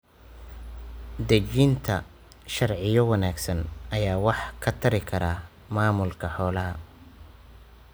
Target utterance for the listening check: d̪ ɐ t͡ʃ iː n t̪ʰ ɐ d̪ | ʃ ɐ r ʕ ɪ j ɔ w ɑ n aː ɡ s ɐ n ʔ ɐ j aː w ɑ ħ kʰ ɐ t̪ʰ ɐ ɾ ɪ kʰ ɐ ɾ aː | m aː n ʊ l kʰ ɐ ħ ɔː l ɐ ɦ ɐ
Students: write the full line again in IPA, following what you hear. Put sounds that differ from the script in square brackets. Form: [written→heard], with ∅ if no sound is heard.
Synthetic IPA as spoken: d̪ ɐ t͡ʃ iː n t̪ʰ ɐ [d̪→∅] | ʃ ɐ r ʕ ɪ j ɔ w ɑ n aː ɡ s ɐ n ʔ ɐ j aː w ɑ ħ kʰ ɐ t̪ʰ ɐ ɾ ɪ kʰ ɐ ɾ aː | m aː [n→m] ʊ l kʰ ɐ ħ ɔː l ɐ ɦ ɐ

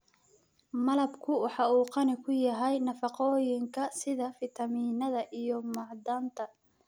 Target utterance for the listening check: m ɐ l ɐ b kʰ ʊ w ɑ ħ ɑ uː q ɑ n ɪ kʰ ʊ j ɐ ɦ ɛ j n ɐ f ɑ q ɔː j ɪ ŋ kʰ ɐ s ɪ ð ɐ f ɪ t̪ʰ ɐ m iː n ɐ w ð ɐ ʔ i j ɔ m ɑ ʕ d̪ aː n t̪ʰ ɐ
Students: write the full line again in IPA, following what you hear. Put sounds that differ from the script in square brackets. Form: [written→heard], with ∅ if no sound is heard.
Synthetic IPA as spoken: m ɐ l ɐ b kʰ ʊ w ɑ ħ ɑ uː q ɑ n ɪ kʰ ʊ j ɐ ɦ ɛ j n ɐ f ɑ q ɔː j ɪ ŋ kʰ ɐ s ɪ ð ɐ f ɪ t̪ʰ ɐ m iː n ɐ [w→∅] ð ɐ ʔ i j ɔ m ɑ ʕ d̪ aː n t̪ʰ ɐ

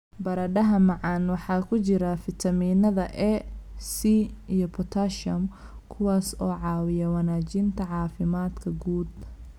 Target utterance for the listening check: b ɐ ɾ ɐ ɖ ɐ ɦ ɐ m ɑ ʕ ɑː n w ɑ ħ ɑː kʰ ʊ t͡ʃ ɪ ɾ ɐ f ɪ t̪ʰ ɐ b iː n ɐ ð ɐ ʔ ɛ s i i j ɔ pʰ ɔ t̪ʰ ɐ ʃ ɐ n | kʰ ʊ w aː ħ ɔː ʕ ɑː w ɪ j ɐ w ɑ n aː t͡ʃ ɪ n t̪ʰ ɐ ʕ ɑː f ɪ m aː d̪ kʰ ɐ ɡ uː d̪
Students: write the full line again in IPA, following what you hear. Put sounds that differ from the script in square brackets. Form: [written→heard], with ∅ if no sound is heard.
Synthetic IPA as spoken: b ɐ ɾ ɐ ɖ ɐ ɦ ɐ m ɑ ʕ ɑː n w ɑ ħ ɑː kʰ ʊ t͡ʃ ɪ ɾ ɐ f ɪ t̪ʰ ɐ [b→m] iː n ɐ ð ɐ ʔ ɛ s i i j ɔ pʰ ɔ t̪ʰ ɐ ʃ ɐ [n→m] | kʰ ʊ w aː [ħ→s] ɔː ʕ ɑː w ɪ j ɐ w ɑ n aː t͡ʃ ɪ n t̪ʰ ɐ ʕ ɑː f ɪ m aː d̪ kʰ ɐ ɡ uː d̪

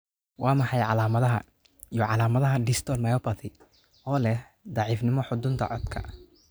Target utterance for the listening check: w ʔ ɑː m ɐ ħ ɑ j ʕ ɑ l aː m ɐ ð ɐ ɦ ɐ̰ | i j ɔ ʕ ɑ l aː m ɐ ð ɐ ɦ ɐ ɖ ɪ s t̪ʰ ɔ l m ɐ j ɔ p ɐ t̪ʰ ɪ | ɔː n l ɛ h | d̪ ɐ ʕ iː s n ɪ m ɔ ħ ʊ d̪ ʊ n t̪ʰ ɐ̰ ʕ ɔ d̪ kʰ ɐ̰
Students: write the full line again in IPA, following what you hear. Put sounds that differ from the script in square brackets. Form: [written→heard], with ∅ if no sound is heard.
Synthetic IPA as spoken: w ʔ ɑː m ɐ ħ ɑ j ʕ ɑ l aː m ɐ ð ɐ ɦ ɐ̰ | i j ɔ ʕ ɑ l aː m ɐ ð ɐ ɦ ɐ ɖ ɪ s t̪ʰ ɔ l m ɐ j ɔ p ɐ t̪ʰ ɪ | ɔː [n→∅] l ɛ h | d̪ [ɐ→ɑ] ʕ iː [s→f] n ɪ m ɔ ħ ʊ d̪ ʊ n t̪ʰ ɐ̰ ʕ ɔ d̪ kʰ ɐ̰

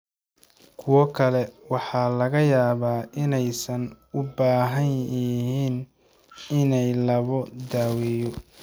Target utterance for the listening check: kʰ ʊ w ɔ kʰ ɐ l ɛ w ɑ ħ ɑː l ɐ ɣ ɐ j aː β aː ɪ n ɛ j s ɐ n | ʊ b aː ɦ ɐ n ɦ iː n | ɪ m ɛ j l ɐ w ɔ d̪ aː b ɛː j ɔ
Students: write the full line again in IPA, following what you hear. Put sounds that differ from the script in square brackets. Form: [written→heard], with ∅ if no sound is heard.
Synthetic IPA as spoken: kʰ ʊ w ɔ kʰ ɐ l ɛ w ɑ ħ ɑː l ɐ ɣ ɐ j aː β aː ɪ n ɛ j s ɐ n | ʊ b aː ɦ ɐ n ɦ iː n | ɪ [m→n] ɛ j l ɐ [w→β] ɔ d̪ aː [b→w] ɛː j ɔ

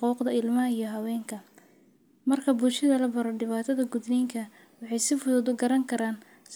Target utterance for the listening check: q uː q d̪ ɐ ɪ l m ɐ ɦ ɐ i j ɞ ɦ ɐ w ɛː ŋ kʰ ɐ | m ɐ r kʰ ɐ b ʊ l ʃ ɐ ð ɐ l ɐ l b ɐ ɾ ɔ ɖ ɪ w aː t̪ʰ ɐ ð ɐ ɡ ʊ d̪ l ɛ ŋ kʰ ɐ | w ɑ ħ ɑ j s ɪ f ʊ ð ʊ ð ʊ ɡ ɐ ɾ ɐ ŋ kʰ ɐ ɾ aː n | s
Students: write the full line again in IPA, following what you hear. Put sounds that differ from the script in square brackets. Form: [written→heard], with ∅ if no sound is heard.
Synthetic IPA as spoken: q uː q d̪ ɐ ɪ l m ɐ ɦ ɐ i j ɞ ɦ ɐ w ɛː ŋ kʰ ɐ | m ɐ r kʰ ɐ b ʊ l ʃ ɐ ð ɐ l ɐ [l→∅] b ɐ ɾ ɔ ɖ ɪ [w→β] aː t̪ʰ ɐ ð ɐ ɡ ʊ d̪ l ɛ ŋ kʰ ɐ | w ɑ ħ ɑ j s ɪ f ʊ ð ʊ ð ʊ ɡ ɐ ɾ ɐ ŋ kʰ ɐ ɾ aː n | s

